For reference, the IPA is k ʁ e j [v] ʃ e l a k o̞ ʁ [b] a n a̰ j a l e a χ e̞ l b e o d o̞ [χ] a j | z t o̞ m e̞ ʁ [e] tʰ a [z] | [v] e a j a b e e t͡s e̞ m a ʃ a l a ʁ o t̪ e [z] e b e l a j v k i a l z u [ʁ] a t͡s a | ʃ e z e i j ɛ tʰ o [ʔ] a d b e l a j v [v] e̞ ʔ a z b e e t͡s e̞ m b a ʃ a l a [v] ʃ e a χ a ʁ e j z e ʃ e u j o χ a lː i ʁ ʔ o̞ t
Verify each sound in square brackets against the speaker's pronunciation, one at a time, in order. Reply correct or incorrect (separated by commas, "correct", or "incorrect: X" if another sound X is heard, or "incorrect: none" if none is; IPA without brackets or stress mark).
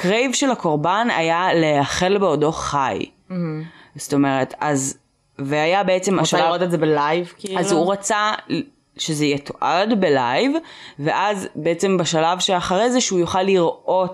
correct, correct, correct, correct, correct, correct, correct, correct, correct, correct, correct